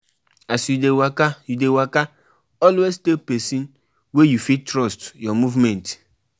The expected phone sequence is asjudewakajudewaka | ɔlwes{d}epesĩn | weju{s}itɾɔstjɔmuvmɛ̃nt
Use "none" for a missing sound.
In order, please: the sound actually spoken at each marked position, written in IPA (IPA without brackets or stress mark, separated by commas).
t, f